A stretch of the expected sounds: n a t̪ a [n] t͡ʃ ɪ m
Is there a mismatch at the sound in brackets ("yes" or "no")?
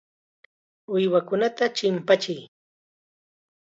yes